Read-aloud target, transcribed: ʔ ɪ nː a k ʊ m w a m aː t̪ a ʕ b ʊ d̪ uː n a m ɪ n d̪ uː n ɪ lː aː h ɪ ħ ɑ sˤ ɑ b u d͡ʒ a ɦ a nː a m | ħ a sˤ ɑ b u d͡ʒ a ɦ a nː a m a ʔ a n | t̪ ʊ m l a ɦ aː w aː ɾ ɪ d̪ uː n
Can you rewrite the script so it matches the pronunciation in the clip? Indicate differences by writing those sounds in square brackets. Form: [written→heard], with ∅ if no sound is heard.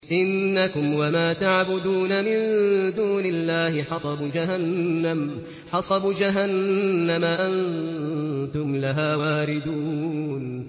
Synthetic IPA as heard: ʔ ɪ nː a k ʊ m w a m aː t̪ a ʕ b ʊ d̪ uː n a m ɪ n d̪ uː n ɪ lː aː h ɪ ħ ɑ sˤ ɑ b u d͡ʒ a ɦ a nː a m | ħ [a→ɑ] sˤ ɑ b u d͡ʒ a ɦ a nː a m a ʔ a n | t̪ ʊ m l a ɦ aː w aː ɾ ɪ d̪ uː n